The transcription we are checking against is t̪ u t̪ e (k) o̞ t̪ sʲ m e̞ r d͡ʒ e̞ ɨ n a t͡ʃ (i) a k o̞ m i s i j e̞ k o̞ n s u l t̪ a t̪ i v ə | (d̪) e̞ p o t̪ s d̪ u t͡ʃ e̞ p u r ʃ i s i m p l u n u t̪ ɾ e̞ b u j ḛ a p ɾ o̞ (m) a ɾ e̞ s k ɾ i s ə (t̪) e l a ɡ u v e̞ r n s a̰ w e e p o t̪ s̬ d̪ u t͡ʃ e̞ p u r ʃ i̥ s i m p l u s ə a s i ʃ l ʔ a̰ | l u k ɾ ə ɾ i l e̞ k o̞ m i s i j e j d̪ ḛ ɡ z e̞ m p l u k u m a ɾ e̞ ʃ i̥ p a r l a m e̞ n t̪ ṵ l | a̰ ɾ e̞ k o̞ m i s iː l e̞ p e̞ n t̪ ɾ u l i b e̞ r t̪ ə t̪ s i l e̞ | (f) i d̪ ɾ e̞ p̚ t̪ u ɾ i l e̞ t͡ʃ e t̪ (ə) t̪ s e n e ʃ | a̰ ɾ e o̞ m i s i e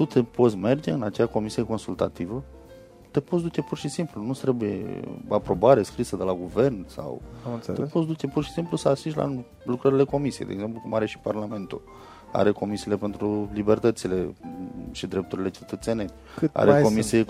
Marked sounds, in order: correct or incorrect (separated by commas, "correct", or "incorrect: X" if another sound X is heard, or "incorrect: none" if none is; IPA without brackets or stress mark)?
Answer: incorrect: p, incorrect: e, incorrect: t̪, incorrect: b, incorrect: d̪, incorrect: ʃ, correct